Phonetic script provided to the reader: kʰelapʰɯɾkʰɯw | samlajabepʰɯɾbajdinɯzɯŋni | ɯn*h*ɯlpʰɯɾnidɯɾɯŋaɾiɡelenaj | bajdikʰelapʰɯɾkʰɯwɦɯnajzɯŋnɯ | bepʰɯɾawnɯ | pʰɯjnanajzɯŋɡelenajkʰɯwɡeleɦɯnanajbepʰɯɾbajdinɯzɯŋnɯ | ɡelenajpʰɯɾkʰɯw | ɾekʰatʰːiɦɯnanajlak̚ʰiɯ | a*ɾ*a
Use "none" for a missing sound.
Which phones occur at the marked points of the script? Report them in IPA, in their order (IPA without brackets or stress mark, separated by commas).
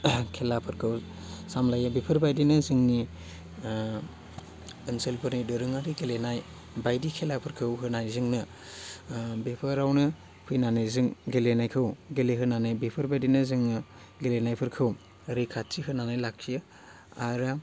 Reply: s, ɾ